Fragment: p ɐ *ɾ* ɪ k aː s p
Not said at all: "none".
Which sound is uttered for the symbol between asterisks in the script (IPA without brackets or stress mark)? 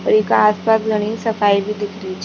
ɾ